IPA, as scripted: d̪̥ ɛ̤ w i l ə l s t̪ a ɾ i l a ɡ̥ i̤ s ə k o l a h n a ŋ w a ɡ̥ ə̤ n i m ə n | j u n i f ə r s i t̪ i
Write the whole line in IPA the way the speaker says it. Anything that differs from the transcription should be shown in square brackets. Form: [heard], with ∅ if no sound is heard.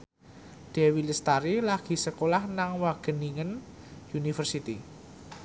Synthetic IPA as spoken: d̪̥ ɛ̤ w i l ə [∅] s t̪ a ɾ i l a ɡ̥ i̤ s ə k o l a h n a ŋ w a ɡ̥ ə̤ n i [ŋ] ə n | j u n i f ə r s i t̪ i